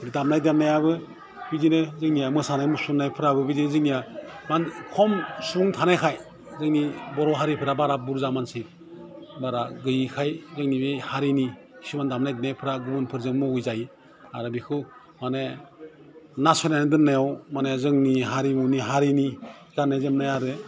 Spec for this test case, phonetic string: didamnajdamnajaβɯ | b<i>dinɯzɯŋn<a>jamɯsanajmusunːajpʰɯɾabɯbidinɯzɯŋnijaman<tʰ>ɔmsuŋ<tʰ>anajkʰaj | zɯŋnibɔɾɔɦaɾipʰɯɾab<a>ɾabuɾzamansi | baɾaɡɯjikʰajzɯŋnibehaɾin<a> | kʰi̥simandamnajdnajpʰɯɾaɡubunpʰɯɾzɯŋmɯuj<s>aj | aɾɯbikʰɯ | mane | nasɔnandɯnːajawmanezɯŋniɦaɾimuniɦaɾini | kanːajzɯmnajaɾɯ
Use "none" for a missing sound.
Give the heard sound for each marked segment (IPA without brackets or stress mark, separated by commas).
i, i, kʰ, tʰ, a, i, z